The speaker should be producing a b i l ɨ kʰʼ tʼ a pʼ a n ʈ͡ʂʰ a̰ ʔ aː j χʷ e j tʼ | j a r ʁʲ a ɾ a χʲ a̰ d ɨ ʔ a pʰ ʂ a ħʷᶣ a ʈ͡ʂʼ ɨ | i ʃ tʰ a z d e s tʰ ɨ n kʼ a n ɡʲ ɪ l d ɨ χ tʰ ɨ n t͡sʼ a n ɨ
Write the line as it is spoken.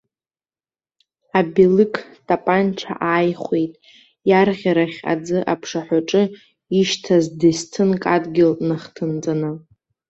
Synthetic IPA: a b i l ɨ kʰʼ tʼ a pʼ a n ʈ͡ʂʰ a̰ ʔ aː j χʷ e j tʼ | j a r ʁʲ a ɾ a χʲ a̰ d͡z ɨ ʔ a pʰ ʂ a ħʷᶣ a ʈ͡ʂʼ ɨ | i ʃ tʰ a z d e s tʰ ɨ n kʼ a d ɡʲ ɪ l n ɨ χ tʰ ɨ n t͡sʼ a n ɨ